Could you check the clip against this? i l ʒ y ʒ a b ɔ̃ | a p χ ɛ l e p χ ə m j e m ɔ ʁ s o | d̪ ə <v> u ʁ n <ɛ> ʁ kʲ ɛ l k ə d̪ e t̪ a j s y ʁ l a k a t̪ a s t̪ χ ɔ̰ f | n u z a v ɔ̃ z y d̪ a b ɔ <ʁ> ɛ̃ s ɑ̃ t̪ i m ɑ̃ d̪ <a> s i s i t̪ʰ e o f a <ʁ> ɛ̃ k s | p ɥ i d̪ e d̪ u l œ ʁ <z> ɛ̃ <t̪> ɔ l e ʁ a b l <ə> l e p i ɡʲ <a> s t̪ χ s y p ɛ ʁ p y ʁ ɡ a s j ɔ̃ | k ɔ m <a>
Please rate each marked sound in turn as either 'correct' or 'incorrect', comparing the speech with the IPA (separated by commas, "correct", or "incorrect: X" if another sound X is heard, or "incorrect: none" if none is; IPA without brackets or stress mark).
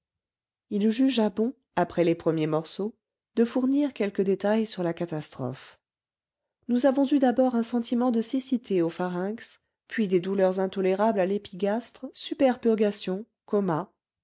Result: incorrect: f, incorrect: i, correct, incorrect: ə, correct, correct, correct, incorrect: a, correct, correct